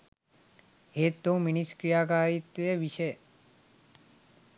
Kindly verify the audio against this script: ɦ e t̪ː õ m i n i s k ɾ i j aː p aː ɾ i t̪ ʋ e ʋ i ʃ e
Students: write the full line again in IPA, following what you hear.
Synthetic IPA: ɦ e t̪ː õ m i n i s k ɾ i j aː k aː ɾ i t̪ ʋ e ʋ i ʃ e